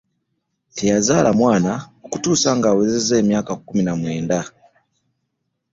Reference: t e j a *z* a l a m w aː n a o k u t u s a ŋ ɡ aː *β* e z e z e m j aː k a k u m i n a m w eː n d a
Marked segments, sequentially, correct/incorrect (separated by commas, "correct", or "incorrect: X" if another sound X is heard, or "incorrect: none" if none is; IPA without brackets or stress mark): correct, incorrect: w